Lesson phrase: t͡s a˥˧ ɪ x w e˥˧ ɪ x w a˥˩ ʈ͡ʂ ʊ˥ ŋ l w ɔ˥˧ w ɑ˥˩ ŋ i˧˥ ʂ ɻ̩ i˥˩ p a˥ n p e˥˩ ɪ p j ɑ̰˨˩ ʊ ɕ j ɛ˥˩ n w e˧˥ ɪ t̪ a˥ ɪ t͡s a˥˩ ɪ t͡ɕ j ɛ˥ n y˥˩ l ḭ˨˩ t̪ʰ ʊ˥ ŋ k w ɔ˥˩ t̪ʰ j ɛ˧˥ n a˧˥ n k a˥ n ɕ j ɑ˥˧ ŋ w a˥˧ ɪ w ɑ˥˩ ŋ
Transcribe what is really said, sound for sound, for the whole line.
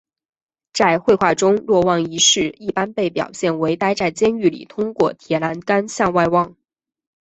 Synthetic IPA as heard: t͡s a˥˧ ɪ x w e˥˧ ɪ x w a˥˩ ʈ͡ʂ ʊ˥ ŋ l w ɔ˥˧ w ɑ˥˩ ŋ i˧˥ ʂ ɻ̩ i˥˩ p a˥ n p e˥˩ ɪ p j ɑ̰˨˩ ʊ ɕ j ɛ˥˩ n w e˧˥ ɪ t̪ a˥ ɪ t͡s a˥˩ ɪ t͡ɕ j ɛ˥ n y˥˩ l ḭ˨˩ t̪ʰ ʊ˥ ŋ k w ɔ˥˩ t̪ʰ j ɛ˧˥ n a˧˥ n k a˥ n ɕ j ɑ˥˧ ŋ w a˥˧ ɪ w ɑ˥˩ ŋ